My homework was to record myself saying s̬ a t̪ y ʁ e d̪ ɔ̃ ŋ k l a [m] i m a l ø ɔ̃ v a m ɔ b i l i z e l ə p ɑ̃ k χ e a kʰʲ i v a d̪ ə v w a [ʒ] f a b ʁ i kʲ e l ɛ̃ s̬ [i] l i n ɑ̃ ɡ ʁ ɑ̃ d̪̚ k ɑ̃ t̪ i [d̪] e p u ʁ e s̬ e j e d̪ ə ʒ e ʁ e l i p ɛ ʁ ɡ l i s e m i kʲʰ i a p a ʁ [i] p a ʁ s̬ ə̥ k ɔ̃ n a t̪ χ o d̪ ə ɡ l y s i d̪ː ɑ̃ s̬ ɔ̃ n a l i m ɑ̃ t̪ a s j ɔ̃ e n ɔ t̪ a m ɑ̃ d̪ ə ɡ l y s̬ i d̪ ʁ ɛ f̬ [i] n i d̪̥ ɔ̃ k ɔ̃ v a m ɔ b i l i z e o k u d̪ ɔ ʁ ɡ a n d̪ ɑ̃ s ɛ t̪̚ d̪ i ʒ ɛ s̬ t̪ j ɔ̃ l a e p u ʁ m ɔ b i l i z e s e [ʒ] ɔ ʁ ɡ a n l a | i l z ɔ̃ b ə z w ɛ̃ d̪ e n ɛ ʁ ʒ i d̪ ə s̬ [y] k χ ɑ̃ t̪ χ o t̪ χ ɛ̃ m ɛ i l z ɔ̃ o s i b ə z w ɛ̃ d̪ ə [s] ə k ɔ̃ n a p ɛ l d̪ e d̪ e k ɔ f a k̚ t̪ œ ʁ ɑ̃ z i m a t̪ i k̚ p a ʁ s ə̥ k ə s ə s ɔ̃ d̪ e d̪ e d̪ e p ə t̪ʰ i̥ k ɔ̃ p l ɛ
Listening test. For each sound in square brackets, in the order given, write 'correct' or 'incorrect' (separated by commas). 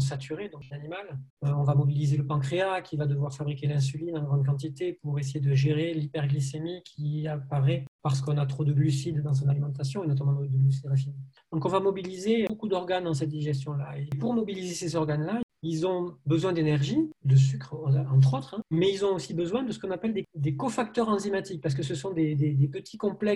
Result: incorrect, incorrect, incorrect, incorrect, incorrect, correct, incorrect, correct, correct